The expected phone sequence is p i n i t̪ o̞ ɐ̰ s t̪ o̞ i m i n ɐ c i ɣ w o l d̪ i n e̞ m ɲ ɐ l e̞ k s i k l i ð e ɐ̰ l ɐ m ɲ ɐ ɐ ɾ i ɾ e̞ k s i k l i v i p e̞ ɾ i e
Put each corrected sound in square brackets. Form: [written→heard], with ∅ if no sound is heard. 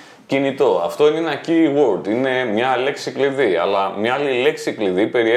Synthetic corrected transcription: [p→c] i n i t̪ o̞ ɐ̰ [s→f] t̪ o̞ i [m→n] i n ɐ c i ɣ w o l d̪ i n e̞ m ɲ ɐ l e̞ k s i k l i ð [e→i] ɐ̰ l ɐ m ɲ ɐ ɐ [ɾ→l] i [ɾ→l] e̞ k s i k l i [v→ð] i p e̞ ɾ i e